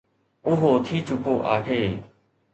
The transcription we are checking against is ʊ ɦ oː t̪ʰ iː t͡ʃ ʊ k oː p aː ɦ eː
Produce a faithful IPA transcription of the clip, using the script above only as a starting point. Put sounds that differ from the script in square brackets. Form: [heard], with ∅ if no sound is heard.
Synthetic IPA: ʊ ɦ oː t̪ʰ iː t͡ʃ ʊ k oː [ʔ] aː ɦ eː